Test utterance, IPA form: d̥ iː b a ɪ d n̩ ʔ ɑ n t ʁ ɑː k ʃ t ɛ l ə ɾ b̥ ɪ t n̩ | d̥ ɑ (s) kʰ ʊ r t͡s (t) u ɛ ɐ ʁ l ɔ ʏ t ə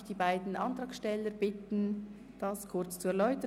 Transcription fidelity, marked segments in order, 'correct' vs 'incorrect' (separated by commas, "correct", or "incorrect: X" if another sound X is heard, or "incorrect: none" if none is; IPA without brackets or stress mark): correct, incorrect: t͡s